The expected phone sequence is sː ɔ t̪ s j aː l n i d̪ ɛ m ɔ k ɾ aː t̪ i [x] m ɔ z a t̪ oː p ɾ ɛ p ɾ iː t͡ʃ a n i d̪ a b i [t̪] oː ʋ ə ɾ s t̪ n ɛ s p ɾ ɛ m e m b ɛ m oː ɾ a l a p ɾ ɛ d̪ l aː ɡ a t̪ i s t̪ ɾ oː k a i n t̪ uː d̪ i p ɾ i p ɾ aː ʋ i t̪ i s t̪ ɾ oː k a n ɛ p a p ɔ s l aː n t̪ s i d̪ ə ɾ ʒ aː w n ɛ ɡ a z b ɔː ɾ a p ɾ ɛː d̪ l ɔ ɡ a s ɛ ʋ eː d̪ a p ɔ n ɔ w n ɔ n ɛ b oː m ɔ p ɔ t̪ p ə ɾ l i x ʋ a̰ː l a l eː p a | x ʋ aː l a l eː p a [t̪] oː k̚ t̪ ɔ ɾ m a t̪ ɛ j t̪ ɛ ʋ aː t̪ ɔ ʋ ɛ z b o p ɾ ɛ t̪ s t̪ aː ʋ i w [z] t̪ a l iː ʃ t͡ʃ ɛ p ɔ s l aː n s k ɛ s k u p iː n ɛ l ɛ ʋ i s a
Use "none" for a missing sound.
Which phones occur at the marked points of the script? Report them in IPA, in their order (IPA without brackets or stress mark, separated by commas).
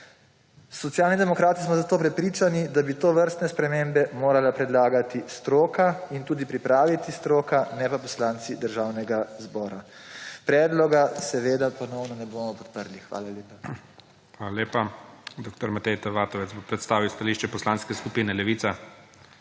s, t̪, d̪, s